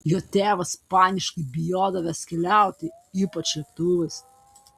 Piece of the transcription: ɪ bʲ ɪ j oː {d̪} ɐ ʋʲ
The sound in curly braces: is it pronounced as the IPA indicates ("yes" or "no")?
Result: yes